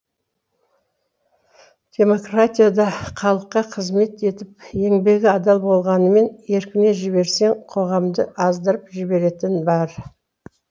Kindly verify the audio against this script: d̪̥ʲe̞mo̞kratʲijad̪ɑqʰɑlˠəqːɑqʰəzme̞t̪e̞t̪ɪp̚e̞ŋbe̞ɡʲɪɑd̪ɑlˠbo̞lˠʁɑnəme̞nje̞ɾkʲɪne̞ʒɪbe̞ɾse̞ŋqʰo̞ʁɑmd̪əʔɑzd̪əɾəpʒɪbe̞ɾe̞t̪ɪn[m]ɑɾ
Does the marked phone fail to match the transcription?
yes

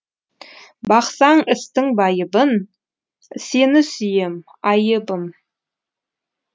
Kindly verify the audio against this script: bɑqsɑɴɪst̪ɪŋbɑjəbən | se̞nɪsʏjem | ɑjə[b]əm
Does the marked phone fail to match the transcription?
no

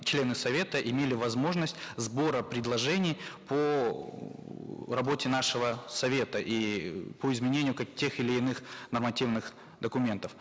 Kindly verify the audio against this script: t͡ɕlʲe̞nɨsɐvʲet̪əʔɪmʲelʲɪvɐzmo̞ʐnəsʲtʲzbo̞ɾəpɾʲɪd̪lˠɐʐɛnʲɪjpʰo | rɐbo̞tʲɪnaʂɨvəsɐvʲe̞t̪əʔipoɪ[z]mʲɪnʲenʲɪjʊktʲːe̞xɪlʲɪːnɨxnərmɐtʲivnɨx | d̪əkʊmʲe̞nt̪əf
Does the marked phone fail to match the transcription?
no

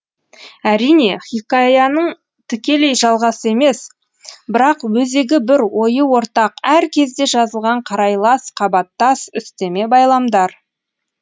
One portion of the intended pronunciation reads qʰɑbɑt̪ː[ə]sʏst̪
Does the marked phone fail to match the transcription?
yes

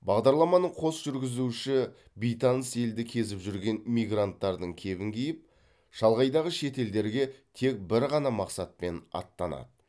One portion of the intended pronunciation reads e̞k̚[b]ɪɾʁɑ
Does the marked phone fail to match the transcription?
no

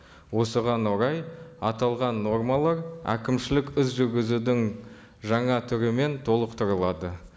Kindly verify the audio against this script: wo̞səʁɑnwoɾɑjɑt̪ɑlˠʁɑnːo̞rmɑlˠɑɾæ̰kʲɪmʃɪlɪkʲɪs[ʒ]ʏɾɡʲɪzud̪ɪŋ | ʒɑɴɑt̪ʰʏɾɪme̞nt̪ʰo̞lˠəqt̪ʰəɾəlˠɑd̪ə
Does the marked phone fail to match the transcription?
no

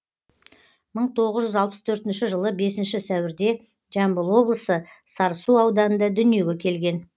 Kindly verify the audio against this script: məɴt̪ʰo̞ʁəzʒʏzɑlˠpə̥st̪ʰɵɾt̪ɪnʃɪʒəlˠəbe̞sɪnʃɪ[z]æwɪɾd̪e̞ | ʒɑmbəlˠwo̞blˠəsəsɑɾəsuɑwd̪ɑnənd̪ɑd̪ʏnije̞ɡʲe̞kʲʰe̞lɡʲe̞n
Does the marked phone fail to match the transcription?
yes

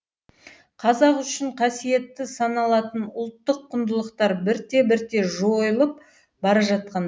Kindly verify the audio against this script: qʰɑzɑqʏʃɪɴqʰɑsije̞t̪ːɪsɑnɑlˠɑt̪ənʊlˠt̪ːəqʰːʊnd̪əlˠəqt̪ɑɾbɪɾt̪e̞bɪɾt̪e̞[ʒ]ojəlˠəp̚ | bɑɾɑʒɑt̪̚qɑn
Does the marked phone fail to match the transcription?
no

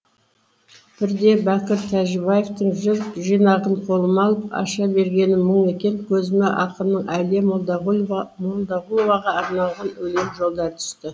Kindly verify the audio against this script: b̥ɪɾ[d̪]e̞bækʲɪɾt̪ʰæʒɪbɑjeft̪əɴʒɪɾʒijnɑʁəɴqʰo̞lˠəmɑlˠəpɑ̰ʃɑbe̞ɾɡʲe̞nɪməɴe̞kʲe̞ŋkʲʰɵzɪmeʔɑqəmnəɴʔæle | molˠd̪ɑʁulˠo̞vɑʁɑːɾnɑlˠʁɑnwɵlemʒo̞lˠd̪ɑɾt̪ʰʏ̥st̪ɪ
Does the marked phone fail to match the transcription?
no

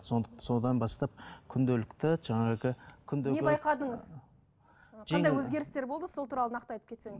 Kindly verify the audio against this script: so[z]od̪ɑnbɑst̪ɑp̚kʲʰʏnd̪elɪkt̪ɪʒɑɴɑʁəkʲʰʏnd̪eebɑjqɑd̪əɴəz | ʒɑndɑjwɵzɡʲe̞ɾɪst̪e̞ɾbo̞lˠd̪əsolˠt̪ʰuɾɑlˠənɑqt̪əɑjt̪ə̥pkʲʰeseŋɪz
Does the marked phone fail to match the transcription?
yes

